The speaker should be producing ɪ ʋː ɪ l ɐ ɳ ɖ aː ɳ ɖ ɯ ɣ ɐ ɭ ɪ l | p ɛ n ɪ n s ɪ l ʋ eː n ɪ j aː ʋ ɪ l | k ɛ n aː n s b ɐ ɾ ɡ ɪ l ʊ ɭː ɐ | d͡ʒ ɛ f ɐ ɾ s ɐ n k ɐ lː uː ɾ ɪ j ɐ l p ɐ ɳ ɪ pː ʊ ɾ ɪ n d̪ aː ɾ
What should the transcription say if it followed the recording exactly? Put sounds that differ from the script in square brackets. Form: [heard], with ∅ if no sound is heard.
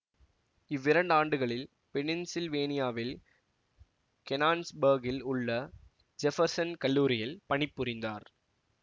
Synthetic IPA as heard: ɪ ʋː ɪ [ɾ] ɐ ɳ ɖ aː ɳ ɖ ɯ ɣ ɐ ɭ ɪ l | p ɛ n ɪ n s ɪ l ʋ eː n ɪ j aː ʋ ɪ l | k ɛ n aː n s b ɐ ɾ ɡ ɪ l ʊ ɭː ɐ | d͡ʒ ɛ f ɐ ɾ s ɐ n k ɐ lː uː ɾ ɪ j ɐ l p ɐ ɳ ɪ pː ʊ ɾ ɪ n d̪ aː ɾ